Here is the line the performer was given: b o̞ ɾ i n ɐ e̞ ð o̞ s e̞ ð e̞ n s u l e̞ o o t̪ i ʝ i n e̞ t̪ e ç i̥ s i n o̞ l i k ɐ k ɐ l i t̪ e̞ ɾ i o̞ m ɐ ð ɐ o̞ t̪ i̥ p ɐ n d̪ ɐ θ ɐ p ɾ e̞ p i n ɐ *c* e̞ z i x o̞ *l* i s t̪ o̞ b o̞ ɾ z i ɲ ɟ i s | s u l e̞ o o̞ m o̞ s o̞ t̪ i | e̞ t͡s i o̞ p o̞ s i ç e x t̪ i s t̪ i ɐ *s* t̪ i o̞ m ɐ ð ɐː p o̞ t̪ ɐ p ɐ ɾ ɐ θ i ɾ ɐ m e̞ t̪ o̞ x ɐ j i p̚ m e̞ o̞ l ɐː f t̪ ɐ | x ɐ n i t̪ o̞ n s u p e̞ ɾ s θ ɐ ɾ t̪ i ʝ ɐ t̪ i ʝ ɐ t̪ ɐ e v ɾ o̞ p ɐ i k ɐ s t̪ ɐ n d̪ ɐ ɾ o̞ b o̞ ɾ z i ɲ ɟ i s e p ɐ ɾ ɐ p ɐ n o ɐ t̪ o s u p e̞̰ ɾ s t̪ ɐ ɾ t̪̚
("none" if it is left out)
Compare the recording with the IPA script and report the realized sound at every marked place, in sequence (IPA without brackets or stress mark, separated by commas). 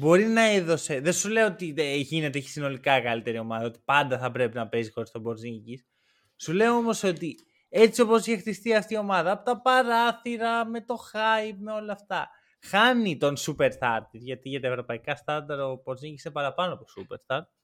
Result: p, ɾ, f